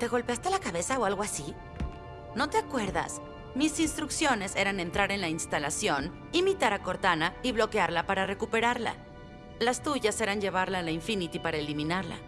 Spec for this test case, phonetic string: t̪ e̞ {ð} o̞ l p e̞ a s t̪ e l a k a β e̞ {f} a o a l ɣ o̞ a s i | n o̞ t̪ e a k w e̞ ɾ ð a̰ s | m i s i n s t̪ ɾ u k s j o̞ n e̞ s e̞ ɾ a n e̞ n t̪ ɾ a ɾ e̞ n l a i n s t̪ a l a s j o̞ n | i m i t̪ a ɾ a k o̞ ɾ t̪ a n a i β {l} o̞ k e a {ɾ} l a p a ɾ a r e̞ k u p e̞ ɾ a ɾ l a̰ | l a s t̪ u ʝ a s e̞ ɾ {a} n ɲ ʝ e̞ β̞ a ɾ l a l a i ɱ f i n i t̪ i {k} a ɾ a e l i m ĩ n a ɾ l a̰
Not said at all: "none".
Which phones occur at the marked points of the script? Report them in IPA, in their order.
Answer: ɣ, s, l, ɾ, a, p

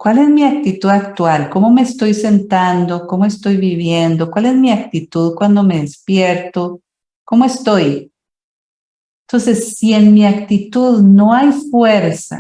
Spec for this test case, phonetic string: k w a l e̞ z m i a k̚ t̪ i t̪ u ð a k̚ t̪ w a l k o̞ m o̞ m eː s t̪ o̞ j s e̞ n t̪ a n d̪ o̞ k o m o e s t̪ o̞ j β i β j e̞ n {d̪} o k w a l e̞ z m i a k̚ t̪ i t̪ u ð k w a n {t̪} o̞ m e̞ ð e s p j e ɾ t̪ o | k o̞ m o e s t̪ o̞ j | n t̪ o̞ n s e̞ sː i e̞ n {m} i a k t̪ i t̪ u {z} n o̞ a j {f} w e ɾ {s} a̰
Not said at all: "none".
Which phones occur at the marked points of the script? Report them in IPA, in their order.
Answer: d̪, d̪, m, ð, f, s

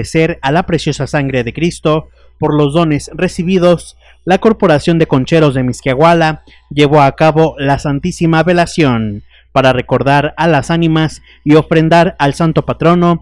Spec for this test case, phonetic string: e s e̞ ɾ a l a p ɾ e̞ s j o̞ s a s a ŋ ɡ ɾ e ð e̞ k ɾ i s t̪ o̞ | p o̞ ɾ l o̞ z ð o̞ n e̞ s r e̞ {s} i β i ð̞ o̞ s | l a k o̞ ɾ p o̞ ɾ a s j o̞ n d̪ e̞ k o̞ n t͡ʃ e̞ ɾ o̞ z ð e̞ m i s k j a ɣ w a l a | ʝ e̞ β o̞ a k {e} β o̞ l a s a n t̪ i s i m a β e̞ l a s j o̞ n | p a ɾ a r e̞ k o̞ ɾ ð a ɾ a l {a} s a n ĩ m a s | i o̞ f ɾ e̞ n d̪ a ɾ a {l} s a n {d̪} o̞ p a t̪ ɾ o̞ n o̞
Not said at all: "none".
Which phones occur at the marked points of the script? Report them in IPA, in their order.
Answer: s, a, a, l, t̪

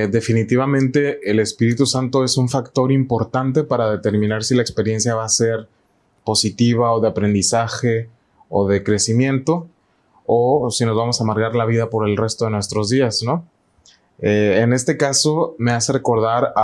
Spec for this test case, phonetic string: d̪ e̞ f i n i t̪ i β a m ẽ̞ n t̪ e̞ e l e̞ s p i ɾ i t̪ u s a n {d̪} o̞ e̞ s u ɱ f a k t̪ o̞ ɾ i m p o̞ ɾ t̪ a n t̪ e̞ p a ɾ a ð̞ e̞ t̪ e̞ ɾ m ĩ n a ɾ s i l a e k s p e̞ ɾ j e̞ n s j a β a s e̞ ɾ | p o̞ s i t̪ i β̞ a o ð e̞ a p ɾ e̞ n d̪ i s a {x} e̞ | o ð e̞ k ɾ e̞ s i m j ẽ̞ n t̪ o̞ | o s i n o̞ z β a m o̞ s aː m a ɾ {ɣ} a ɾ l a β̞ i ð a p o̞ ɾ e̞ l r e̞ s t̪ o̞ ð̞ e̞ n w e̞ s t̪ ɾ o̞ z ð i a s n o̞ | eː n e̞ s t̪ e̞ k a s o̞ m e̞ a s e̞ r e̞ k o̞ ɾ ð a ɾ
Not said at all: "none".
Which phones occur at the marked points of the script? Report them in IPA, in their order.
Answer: t̪, x, ɣ

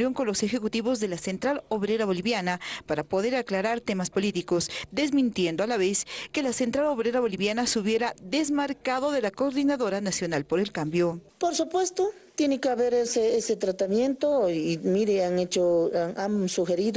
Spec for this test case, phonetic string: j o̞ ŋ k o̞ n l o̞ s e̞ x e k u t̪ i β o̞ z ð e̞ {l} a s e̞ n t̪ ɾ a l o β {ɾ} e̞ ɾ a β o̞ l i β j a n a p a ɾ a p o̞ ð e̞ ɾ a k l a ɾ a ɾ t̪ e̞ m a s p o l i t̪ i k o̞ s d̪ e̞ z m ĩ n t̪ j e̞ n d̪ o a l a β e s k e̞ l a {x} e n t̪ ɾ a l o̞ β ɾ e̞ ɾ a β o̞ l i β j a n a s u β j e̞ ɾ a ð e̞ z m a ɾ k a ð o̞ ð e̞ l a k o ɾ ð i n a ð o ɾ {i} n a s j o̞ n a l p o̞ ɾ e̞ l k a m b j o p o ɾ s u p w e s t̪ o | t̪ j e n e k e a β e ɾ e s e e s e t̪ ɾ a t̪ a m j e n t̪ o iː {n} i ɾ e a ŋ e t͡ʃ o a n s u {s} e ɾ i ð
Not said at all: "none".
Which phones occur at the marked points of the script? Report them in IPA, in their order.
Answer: l, ɾ, s, a, m, x

